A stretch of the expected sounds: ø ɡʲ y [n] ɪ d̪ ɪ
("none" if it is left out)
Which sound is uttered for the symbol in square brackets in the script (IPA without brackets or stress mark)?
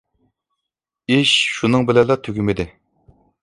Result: m